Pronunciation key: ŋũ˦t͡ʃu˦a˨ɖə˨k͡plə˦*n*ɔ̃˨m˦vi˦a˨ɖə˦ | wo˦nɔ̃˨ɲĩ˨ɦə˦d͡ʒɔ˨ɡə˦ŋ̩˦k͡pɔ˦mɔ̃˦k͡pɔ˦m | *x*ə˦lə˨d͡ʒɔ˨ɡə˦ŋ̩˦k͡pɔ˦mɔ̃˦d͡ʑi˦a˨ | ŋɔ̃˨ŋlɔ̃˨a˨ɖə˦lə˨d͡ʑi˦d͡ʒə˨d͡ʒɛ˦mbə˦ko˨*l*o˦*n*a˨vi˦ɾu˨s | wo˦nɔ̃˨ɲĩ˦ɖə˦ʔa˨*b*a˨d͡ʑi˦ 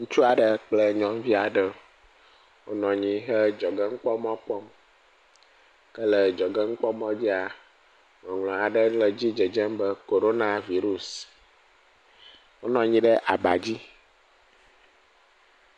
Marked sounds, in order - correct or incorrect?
incorrect, incorrect, incorrect, correct, correct

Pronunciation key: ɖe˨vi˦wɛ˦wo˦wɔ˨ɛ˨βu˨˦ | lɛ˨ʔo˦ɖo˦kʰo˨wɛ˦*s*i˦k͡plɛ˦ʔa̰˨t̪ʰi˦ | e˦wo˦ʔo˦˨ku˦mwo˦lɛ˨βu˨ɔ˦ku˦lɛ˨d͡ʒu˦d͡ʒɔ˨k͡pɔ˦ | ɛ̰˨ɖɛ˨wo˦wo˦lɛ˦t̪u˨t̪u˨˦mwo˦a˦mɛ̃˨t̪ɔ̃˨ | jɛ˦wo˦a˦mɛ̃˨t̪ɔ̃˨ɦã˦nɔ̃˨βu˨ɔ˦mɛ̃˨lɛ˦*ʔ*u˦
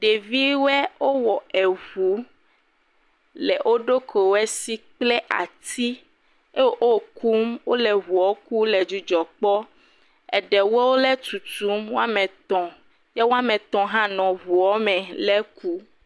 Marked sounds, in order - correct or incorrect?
correct, incorrect

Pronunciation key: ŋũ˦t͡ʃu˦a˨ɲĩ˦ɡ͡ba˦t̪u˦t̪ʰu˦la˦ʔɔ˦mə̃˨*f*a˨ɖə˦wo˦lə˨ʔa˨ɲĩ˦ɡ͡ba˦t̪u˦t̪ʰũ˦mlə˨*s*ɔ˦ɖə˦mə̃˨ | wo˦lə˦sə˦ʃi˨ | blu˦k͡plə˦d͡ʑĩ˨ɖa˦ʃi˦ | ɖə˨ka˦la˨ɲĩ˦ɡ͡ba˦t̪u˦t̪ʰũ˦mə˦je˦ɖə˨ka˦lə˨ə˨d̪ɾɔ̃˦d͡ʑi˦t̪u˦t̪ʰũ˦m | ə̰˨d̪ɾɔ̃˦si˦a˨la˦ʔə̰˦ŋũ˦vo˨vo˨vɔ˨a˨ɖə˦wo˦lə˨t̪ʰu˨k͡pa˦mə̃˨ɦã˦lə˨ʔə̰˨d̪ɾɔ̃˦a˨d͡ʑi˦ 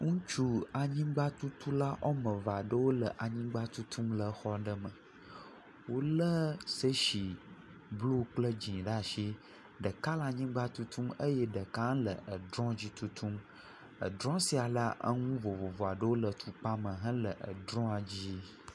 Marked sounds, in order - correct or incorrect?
incorrect, incorrect

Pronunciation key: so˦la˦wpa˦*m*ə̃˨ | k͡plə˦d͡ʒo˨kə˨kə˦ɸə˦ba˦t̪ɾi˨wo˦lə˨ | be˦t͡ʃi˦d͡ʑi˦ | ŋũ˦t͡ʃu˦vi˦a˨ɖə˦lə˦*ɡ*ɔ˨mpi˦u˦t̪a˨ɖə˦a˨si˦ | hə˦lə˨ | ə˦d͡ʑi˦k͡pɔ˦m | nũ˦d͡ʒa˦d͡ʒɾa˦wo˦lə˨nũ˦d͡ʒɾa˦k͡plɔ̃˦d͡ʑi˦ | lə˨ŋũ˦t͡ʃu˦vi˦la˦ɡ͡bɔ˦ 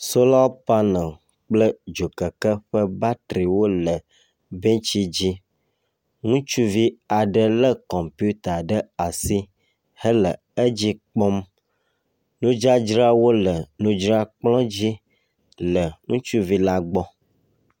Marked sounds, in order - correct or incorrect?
incorrect, incorrect

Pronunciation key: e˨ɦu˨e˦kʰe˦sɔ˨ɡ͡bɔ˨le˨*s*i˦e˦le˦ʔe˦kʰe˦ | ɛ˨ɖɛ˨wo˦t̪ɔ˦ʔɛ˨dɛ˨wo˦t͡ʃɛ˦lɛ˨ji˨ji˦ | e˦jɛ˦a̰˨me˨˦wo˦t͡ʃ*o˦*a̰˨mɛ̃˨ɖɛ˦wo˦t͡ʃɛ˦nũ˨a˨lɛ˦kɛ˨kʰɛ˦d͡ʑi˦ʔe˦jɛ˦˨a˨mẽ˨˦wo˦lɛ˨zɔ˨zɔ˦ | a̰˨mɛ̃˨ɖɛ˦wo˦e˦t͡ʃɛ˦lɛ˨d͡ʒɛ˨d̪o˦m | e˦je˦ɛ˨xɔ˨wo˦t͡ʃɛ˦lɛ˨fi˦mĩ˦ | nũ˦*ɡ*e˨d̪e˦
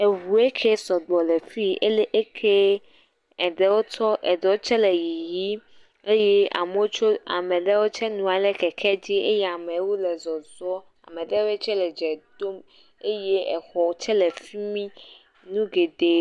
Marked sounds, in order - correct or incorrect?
incorrect, correct, correct

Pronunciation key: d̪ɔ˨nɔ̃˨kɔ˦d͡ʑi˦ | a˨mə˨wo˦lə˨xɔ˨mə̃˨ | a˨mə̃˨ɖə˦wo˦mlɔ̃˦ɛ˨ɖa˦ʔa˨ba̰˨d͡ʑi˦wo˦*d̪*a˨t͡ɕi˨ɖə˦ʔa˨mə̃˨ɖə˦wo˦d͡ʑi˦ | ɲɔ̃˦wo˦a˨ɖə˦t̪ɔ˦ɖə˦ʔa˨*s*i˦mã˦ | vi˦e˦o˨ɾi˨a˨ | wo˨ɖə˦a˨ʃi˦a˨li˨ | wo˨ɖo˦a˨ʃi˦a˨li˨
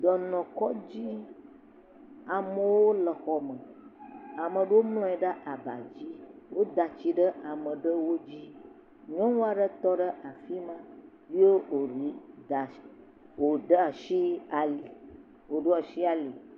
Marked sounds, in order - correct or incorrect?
correct, incorrect

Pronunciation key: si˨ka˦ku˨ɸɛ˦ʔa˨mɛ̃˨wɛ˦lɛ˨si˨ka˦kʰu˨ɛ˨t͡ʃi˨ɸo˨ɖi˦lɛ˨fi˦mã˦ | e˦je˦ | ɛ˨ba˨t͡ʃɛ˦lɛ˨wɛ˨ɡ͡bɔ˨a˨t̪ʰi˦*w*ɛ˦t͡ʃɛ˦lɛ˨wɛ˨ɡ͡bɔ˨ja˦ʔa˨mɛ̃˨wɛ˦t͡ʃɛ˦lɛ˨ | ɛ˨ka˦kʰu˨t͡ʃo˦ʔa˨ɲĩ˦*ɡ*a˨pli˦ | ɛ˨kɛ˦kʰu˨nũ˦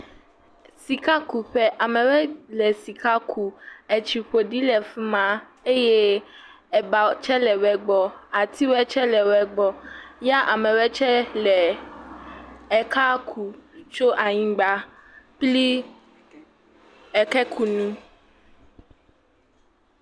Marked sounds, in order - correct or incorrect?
correct, incorrect

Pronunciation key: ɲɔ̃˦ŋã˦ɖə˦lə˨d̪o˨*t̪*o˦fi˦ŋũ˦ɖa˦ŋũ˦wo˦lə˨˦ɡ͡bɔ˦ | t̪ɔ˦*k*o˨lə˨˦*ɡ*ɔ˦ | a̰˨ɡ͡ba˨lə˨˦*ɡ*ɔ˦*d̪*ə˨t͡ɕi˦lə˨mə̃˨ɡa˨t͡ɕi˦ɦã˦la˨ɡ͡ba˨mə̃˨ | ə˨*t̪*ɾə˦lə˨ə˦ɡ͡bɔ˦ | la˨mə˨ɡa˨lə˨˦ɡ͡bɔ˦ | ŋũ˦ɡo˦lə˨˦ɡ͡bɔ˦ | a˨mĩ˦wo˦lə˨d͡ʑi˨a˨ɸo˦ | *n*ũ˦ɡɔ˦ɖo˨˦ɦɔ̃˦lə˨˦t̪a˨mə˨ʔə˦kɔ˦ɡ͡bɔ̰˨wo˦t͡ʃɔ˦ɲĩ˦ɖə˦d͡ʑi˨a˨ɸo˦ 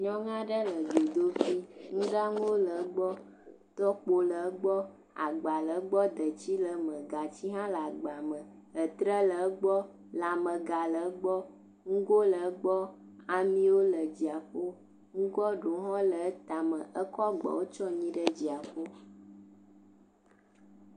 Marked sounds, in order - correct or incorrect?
incorrect, incorrect, incorrect, incorrect, correct, correct, incorrect

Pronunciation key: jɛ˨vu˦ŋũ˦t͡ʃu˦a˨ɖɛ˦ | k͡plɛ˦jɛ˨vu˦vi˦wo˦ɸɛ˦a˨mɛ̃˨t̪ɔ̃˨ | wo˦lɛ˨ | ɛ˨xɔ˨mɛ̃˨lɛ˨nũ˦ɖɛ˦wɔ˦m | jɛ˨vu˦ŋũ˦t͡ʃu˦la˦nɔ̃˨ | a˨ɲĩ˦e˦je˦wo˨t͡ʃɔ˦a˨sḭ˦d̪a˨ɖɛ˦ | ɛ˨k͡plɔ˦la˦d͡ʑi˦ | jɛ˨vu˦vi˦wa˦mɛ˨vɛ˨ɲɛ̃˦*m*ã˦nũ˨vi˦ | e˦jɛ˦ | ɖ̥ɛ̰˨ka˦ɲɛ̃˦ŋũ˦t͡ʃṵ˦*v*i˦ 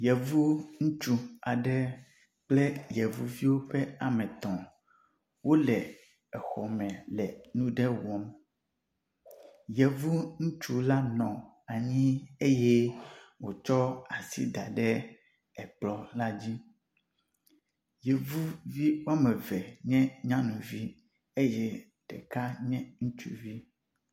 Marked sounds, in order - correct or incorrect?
incorrect, correct

